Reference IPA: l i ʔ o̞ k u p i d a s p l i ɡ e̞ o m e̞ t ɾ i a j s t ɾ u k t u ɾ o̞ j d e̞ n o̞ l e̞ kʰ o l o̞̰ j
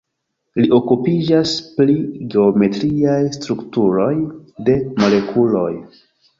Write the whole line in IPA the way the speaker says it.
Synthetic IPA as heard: l i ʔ o̞ k u p i d͡ʒ a s p l i ɡ e̞ o m e̞ t ɾ i a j s t ɾ u k t u ɾ o̞ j d e̞ m o̞ l e̞ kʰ u l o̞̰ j